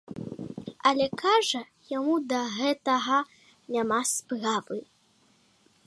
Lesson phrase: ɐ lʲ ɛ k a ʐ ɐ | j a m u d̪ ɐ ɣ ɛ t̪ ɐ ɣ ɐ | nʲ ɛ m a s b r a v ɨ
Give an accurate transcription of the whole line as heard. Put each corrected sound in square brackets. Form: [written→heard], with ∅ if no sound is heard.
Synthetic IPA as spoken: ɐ lʲ ɛ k a ʐ ɐ | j a m u d̪ ɐ ɣ ɛ t̪ ɐ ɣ ɐ | nʲ [ɛ→a] m a s [b→p] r a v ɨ